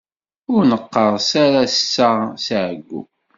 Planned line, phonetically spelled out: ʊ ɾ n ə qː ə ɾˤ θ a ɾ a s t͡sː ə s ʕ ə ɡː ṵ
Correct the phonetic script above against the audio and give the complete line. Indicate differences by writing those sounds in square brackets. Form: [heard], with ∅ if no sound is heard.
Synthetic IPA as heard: ʊ ɾ n ə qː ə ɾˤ [s] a ɾ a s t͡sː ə s ʕ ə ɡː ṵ